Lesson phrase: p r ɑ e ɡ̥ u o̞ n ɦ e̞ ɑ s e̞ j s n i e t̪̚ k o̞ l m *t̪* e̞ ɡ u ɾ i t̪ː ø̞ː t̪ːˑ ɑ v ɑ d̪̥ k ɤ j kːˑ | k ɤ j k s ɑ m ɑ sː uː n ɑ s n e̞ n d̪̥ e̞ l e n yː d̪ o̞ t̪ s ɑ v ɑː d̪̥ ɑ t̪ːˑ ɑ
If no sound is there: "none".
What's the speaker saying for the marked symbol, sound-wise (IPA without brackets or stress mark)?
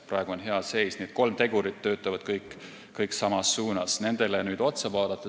t̪